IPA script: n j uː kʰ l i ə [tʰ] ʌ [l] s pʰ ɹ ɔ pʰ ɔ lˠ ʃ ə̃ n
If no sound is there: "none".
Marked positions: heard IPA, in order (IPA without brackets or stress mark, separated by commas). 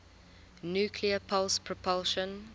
pʰ, l